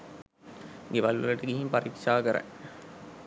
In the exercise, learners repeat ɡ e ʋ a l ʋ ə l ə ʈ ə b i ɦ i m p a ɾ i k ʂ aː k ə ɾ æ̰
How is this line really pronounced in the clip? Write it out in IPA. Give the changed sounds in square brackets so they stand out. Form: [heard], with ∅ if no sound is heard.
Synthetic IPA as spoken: ɡ e ʋ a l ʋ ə l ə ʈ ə [ɡ] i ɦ i m p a ɾ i k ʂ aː k ə ɾ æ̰